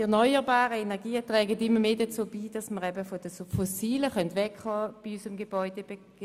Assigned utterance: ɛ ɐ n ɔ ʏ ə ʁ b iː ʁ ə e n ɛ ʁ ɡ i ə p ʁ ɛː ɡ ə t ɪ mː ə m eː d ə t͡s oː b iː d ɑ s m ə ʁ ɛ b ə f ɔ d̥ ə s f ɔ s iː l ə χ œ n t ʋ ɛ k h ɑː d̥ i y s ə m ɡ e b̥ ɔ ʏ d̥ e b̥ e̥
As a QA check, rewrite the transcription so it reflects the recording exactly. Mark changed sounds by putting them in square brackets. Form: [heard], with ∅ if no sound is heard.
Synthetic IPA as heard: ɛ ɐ n ɔ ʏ ə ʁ b [aː] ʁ ə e n ɛ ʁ ɡ [iː] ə [t] ʁ ɛː ɡ ə t ɪ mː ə m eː d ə t͡s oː b iː d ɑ s m ə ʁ ɛ b ə f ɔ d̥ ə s f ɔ s iː l ə χ œ n t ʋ ɛ k h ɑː [b̥] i y s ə m ɡ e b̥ ɔ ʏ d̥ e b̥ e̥